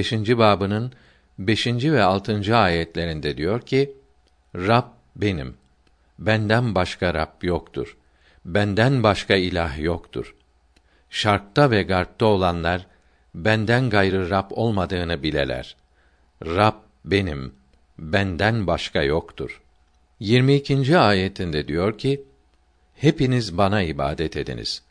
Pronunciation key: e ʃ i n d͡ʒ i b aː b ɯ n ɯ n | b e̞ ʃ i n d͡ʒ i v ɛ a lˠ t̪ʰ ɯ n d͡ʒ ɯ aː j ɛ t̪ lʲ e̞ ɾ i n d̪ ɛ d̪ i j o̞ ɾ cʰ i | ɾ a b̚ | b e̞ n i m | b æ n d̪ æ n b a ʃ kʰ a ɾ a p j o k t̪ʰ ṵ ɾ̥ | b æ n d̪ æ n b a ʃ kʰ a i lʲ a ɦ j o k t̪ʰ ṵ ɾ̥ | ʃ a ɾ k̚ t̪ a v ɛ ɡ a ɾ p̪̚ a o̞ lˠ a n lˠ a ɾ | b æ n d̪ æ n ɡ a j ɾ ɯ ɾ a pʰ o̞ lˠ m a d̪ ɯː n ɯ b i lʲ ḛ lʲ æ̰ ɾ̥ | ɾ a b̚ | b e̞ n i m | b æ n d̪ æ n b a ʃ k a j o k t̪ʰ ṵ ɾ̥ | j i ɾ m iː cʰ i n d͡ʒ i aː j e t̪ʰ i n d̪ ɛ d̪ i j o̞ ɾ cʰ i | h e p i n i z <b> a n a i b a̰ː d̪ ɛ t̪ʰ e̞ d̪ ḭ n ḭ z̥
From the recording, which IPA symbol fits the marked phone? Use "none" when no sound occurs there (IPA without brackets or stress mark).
b